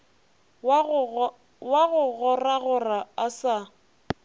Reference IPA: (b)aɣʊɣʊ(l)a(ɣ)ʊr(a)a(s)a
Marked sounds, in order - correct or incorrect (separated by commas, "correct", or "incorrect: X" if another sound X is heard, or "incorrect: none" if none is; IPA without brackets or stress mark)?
incorrect: w, incorrect: r, correct, correct, correct